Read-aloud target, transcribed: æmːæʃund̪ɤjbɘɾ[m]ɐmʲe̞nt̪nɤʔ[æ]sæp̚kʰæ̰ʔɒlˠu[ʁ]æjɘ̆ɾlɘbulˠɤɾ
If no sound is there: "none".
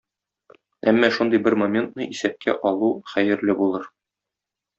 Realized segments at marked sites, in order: m, i, χ

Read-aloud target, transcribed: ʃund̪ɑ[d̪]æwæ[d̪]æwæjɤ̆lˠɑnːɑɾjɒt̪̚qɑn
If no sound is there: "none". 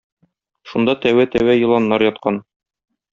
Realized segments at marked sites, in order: t̪, t̪

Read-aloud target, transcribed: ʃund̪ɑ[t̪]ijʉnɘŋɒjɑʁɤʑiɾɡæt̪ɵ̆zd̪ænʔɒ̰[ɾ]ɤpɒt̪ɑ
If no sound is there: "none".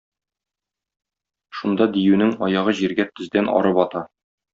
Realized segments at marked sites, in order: d̪, ɾ

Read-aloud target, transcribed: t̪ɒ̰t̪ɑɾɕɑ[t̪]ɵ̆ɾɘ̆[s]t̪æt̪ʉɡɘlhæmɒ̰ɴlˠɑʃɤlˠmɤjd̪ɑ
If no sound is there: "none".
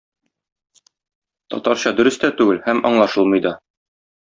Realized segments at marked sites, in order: d̪, s

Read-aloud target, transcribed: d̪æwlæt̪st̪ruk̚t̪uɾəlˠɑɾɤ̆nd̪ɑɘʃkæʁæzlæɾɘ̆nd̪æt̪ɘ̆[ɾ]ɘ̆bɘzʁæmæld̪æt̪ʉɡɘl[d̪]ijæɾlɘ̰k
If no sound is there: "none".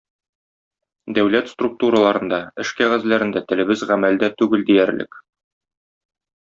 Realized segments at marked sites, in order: l, d̪

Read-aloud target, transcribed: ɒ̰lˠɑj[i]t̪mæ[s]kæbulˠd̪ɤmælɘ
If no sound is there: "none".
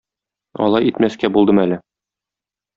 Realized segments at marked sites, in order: i, s

